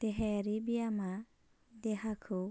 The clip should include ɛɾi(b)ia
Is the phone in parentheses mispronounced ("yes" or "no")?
no